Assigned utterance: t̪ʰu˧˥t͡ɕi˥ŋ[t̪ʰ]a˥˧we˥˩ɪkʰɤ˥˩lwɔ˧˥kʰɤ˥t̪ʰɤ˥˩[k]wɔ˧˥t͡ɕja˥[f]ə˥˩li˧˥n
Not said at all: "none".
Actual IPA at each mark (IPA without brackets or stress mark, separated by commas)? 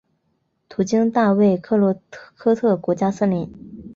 t̪, k, s